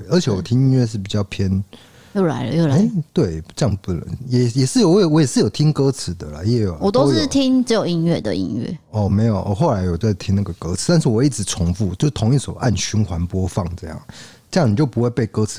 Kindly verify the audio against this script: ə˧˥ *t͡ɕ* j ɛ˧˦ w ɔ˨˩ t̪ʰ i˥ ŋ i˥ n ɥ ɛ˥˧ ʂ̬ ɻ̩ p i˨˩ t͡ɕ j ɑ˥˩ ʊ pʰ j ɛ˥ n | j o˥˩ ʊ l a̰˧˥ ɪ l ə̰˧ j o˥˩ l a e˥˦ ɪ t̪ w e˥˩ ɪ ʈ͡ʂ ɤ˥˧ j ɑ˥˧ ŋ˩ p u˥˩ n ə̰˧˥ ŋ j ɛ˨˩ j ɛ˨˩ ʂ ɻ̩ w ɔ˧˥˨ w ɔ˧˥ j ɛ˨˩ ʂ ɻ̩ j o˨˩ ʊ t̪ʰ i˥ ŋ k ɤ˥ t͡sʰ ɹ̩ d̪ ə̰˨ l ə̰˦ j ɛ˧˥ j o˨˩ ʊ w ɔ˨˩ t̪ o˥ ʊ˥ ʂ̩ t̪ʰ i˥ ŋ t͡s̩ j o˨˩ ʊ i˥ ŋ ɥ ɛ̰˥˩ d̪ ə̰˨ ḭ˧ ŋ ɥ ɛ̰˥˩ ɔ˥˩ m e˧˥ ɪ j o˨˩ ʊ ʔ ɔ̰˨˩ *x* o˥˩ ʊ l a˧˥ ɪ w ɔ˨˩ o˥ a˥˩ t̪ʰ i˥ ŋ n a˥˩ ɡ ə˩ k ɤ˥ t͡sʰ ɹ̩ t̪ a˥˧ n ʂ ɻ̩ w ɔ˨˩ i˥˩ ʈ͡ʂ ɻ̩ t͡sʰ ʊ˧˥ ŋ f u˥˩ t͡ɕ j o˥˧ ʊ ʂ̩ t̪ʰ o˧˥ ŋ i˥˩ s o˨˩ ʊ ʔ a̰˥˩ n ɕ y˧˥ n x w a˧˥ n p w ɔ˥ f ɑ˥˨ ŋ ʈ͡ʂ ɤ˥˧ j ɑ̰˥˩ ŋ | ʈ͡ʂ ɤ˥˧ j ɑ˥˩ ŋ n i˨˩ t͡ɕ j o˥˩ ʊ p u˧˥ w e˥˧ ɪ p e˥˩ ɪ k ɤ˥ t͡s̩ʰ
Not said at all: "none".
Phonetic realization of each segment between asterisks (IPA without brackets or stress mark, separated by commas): t͡ɕʰ, x